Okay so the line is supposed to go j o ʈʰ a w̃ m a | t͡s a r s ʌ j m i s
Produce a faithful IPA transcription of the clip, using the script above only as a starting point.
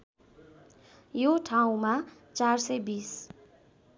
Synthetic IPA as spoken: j o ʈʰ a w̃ m a | t͡s a r s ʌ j b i s